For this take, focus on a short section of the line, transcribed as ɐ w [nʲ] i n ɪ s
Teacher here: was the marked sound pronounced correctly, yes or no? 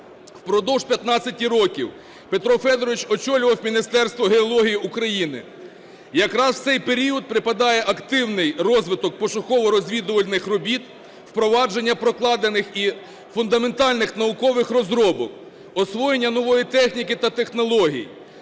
no